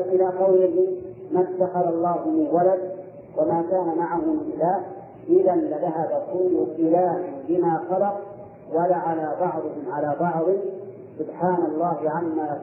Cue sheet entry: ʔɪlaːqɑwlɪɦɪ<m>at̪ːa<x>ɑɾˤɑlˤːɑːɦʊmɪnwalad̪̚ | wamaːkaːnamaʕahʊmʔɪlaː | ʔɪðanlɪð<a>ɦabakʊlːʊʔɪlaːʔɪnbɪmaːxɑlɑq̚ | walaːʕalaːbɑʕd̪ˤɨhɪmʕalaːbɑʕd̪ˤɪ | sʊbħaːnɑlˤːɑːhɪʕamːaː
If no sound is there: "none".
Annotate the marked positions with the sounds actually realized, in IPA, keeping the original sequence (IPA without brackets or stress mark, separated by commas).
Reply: m, x, a